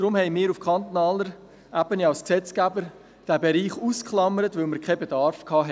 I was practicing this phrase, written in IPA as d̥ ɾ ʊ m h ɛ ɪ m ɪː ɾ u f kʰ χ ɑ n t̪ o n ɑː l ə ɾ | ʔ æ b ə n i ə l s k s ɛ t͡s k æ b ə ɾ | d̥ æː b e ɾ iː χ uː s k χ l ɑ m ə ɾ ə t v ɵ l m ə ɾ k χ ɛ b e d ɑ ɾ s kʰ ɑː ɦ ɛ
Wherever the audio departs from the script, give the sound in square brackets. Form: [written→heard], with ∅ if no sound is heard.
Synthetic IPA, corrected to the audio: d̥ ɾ ʊ m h ɛ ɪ m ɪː ɾ u f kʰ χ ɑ n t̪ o n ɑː l ə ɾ | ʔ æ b ə n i [ə→ɑ] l s k s ɛ t͡s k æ b ə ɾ | d̥ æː b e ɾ iː χ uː s k χ l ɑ m ə ɾ ə t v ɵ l m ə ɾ k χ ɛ b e d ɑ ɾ [s→f] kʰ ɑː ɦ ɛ